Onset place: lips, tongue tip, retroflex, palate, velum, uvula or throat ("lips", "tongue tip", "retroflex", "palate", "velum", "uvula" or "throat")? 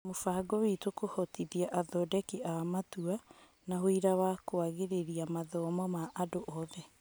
lips